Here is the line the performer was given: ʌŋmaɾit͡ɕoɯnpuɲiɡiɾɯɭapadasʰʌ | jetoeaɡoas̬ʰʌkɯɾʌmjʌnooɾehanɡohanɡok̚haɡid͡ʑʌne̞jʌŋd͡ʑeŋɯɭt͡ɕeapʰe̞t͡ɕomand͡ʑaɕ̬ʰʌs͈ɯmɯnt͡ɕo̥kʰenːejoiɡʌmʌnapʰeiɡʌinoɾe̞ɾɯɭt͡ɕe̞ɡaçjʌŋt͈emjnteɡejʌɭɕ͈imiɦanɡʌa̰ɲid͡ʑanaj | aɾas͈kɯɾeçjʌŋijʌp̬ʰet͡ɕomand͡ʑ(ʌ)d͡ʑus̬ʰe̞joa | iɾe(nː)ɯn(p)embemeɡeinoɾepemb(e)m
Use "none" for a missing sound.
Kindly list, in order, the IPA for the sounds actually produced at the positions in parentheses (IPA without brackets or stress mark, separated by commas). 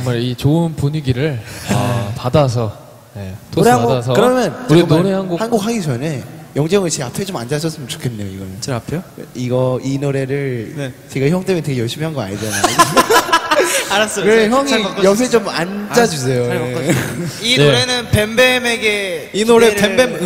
a, n, p, e